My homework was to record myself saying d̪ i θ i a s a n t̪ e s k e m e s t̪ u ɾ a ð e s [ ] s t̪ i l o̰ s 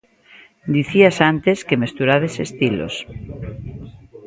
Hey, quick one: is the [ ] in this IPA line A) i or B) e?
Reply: B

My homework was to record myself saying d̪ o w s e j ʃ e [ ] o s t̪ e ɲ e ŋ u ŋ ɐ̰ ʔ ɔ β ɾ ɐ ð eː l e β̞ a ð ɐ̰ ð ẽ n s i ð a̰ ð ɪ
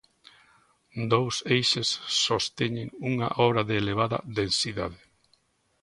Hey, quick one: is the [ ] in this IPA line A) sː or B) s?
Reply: A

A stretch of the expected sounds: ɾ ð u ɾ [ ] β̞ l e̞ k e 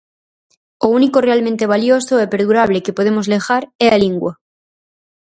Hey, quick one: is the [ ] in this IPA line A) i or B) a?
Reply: B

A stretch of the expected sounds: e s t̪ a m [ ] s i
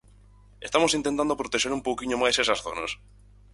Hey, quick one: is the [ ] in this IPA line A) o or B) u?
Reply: A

